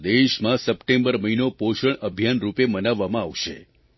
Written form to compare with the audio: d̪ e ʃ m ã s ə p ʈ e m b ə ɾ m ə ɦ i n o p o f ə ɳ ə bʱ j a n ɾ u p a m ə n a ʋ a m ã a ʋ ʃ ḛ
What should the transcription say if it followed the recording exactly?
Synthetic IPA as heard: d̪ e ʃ m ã s ə p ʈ e m b ə ɾ m ə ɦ i n o p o ʃ ə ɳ ə bʱ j a n ɾ u p e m ə n a ʋː a m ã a ʋ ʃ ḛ